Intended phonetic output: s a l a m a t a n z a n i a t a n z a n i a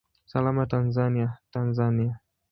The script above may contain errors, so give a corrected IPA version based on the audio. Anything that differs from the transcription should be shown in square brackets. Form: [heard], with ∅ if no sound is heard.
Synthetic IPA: s a l a m a t a n z a n i a t a n z a n i a